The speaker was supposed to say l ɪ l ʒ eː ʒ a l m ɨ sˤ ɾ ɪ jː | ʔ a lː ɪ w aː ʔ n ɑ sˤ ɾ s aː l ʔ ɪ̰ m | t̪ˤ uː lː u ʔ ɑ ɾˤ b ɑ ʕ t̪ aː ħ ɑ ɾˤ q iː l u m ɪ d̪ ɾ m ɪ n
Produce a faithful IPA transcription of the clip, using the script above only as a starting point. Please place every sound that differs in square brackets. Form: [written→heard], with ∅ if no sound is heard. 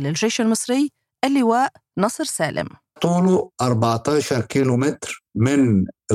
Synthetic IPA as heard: l ɪ l ʒ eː [ʒ→ʃ] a l m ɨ sˤ ɾ ɪ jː | ʔ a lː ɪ w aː ʔ n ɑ sˤ ɾ s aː l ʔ ɪ̰ m | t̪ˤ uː [lː→l] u ʔ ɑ ɾˤ b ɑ ʕ t̪ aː [ħ→ʃ] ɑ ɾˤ [q→k] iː l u m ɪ [d̪→t̪] ɾ m ɪ n